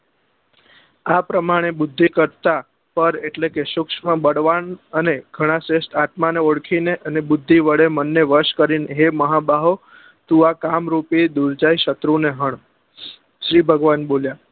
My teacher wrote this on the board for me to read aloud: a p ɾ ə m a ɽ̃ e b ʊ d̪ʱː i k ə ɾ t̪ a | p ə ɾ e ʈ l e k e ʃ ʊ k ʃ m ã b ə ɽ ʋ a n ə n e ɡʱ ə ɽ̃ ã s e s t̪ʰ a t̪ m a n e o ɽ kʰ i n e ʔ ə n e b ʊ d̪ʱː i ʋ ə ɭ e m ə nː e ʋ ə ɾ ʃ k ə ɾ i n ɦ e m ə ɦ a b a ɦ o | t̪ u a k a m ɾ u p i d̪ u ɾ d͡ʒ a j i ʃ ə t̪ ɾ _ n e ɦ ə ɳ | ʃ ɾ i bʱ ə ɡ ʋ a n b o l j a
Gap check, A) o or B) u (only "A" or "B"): B